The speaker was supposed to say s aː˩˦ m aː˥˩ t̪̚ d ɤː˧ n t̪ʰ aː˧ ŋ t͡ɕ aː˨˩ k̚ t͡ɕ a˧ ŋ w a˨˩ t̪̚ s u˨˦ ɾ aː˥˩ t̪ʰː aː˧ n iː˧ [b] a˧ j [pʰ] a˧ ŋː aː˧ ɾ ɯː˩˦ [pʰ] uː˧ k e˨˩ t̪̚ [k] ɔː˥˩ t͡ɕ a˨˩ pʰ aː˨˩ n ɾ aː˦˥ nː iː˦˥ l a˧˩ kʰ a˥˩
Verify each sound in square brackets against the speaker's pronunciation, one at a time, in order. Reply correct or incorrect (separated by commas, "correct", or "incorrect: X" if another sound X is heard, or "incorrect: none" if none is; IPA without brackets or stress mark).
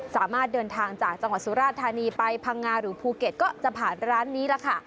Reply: incorrect: p, correct, correct, correct